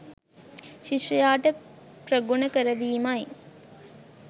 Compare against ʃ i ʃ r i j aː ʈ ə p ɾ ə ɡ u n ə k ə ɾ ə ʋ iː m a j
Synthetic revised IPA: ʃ i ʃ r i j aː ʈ ə p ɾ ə ɡ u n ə k ə ɾ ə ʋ iː m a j